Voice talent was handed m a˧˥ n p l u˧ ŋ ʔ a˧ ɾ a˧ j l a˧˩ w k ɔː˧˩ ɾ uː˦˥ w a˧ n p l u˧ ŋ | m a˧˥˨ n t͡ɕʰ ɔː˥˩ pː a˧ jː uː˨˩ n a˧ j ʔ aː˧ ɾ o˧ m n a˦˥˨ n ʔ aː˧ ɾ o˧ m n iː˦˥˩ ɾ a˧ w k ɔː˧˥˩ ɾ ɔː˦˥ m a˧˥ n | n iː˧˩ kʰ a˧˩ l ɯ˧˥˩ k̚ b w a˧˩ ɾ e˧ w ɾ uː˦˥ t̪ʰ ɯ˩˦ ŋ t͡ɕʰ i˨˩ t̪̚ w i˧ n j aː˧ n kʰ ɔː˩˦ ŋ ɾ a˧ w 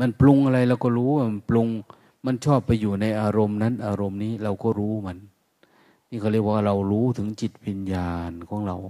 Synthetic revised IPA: m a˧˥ n p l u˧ ŋ ʔ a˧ ɾ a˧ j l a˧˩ w k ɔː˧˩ ɾ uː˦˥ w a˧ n p l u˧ ŋ | m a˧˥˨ n t͡ɕʰ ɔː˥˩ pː a˧ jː uː˨˩ n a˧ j ʔ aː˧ ɾ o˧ m n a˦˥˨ n ʔ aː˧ ɾ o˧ m n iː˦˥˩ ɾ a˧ w k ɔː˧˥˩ ɾ uː˦˥ m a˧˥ n | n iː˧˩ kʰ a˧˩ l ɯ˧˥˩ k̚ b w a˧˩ ɾ a˧ w ɾ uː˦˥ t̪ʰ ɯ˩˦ ŋ t͡ɕ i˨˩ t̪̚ w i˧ n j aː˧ n kʰ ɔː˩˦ ŋ ɾ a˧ w